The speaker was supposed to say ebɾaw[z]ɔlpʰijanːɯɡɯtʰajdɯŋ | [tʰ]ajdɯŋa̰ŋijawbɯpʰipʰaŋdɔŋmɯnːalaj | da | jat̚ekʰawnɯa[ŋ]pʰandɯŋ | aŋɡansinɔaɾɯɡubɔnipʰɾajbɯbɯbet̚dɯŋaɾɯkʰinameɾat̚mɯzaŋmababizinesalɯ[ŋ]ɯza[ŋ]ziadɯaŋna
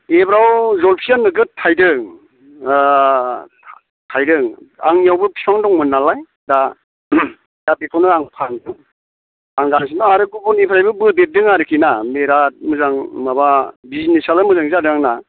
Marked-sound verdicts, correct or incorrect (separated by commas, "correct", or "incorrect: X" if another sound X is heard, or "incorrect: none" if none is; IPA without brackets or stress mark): correct, correct, correct, incorrect: m, correct